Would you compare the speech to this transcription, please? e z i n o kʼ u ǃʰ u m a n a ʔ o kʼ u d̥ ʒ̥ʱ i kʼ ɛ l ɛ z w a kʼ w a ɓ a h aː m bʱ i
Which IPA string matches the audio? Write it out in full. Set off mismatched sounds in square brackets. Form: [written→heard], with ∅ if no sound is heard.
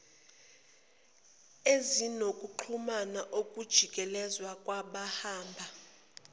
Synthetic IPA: e z i n o kʼ u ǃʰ u m a n a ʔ o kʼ u d̥ ʒ̥ʱ i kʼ ɛ l ɛ z w a kʼ w a ɓ a h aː m bʱ [i→a]